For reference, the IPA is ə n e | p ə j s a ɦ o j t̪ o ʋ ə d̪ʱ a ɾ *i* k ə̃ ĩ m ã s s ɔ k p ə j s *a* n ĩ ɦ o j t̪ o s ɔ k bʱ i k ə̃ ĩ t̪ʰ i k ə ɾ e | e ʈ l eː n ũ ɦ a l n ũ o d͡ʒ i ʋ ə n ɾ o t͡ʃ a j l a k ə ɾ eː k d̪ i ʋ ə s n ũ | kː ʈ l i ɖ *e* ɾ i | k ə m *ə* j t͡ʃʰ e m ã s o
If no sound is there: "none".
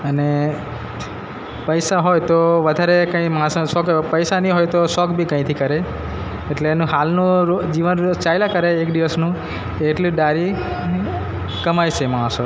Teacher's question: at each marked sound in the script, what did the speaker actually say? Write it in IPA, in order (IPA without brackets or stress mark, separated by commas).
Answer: e, a, a, a